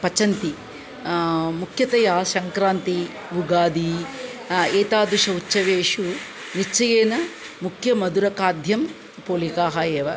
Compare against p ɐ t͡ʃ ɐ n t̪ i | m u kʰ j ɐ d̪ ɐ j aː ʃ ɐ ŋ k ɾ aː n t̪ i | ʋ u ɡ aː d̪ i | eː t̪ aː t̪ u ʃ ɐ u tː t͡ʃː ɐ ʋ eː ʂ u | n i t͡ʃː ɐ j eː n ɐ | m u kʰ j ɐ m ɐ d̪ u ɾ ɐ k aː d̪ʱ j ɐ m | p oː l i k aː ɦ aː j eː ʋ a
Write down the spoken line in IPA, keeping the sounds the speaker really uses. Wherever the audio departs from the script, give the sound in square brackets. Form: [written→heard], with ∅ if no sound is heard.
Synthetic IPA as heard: p ɐ t͡ʃ ɐ n t̪ i | m u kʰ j ɐ [d̪→t̪] ɐ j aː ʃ ɐ ŋ k ɾ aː n t̪ i | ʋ u ɡ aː d̪ i | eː t̪ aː [t̪→d̪] u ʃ ɐ u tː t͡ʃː ɐ ʋ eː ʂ u | n i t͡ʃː ɐ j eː n ɐ | m u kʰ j ɐ m ɐ d̪ u ɾ ɐ k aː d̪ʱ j ɐ m | p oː l i k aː ɦ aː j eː ʋ [a→ɐ]